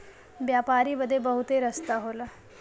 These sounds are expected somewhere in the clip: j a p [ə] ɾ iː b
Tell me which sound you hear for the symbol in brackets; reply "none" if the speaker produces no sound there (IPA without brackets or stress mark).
a